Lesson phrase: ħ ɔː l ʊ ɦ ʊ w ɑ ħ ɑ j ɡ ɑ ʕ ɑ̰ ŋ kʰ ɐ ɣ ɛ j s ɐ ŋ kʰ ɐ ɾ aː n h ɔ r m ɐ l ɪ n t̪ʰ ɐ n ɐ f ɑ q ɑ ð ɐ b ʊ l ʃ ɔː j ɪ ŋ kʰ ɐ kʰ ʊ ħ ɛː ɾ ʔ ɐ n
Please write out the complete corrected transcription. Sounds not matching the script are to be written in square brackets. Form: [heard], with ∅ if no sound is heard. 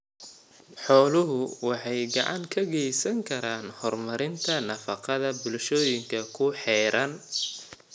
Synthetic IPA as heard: ħ ɔː l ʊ ɦ ʊ w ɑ ħ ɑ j ɡ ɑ ʕ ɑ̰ ŋ kʰ ɐ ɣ ɛ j s ɐ ŋ kʰ ɐ ɾ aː n h ɔ r m ɐ [ɾ] ɪ n t̪ʰ ɐ n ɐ f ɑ q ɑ ð ɐ b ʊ l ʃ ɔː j ɪ ŋ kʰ ɐ kʰ ʊ ħ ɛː ɾ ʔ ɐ n